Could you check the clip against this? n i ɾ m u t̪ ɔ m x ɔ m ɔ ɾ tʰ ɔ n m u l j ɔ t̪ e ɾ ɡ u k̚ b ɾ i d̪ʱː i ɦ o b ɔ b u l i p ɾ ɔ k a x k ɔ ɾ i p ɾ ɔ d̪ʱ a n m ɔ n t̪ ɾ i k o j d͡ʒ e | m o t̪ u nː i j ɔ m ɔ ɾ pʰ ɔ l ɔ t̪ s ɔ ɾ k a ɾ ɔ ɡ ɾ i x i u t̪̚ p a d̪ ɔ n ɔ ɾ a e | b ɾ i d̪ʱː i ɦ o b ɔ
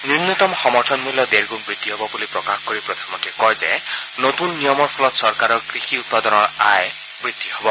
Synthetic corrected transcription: n i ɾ n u t̪ ɔ m x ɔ m ɔ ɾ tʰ ɔ n m u l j ɔ d̪ e ɾ ɡ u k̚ b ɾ i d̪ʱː i ɦ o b ɔ b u l i p ɾ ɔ k a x k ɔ ɾ i p ɾ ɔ d̪ʱ a n m ɔ n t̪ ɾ i k ɔ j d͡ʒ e | n o t̪ u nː i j ɔ m ɔ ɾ pʰ ɔ l ɔ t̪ s ɔ ɾ k a ɾ ɔ ɡ ɾ i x i u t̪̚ p a d̪ ɔ n ɔ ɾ a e | b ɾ i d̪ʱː i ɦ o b ɔ